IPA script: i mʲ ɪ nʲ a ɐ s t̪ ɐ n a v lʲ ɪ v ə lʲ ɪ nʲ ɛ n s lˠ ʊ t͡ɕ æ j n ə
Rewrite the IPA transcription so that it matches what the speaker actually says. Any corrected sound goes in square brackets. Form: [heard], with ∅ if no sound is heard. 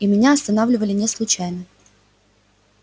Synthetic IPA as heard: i mʲ ɪ nʲ a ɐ s t̪ ɐ n a v lʲ ɪ v ə lʲ ɪ nʲ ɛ [∅] s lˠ ʊ t͡ɕ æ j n ə